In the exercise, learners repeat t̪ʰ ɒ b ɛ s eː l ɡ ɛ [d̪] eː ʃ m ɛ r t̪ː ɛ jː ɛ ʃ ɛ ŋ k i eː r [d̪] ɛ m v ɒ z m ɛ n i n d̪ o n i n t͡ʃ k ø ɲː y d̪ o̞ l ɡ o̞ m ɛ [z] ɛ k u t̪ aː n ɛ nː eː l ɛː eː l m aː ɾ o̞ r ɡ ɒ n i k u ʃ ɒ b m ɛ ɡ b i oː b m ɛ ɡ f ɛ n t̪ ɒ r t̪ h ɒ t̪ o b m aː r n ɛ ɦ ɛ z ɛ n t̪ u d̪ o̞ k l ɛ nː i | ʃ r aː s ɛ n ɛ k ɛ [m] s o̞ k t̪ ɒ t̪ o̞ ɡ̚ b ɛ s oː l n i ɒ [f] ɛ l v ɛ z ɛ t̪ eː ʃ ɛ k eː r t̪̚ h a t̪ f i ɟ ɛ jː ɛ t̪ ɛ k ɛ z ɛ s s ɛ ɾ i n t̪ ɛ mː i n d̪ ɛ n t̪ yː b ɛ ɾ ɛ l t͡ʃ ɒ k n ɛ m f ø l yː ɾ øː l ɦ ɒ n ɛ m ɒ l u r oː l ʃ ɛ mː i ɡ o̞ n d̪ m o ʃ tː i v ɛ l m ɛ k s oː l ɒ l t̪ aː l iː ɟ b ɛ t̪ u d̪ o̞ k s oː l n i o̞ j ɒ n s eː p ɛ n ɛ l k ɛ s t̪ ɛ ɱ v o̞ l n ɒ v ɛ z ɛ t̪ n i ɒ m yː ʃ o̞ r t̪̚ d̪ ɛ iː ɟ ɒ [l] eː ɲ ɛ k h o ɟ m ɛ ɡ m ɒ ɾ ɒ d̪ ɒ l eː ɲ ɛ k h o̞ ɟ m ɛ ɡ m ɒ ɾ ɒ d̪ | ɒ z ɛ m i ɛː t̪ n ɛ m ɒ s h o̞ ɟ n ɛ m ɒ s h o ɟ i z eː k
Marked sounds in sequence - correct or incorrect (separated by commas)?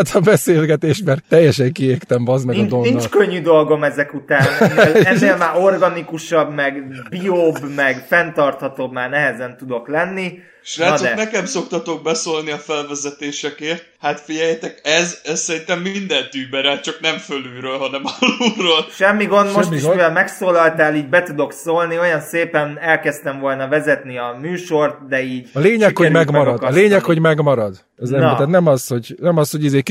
incorrect, incorrect, correct, correct, correct, correct